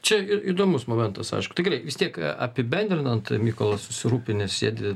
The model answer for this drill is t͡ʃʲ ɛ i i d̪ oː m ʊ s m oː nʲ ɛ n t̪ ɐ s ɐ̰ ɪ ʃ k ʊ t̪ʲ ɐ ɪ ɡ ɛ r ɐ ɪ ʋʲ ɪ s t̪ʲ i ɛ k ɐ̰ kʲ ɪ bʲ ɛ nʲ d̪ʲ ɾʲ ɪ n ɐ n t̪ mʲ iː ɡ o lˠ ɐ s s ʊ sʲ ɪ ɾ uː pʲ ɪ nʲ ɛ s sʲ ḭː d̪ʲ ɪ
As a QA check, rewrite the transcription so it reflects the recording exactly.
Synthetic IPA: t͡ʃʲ ɛ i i d̪ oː m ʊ s m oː mʲ ɛ n t̪ ɐ s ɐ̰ ɪ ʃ k ʊ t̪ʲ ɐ ɪ ɡ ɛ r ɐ ɪ ʋʲ ɪ s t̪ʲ i ɛ k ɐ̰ pʲ ɪ bʲ ɛ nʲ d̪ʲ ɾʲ ɪ n ɐ n t̪ mʲ iː k o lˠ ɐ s s ʊ sʲ ɪ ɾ uː pʲ ɪ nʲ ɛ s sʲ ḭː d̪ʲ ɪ